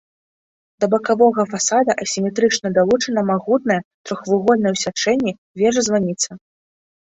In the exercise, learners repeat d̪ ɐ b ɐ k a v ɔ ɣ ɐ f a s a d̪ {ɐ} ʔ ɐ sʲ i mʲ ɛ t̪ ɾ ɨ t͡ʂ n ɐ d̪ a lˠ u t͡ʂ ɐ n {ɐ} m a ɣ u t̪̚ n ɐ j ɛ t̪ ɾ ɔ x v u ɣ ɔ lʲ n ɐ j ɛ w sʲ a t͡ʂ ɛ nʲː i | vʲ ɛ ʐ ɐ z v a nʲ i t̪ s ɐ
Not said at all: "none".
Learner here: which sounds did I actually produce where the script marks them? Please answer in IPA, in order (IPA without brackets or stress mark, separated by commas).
ɐ, ɐ